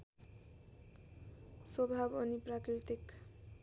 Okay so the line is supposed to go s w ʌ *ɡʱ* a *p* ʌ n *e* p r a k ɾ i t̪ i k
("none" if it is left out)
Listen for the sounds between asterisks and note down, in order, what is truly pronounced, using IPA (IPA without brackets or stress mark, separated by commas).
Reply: bʱ, b, i